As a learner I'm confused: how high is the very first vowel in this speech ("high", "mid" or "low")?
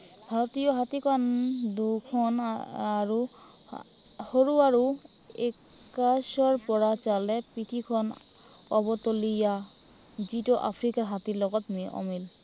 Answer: low